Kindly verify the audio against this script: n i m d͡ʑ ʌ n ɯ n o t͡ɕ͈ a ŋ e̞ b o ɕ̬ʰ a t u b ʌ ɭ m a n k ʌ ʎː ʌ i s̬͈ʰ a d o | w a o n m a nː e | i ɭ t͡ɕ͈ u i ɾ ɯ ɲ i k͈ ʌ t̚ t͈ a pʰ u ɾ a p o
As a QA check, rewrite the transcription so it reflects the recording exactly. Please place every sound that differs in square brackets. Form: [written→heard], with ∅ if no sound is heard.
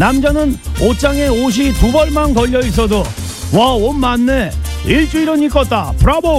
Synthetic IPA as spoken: n [i→a] m d͡ʑ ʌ n ɯ n o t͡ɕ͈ a ŋ e̞ [b→∅] o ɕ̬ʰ [a→i] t u b ʌ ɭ m a n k ʌ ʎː ʌ i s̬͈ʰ [a→ʌ] d o | w a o n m a nː e | i ɭ t͡ɕ͈ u i ɾ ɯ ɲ i k͈ ʌ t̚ t͈ a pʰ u ɾ a [p→b] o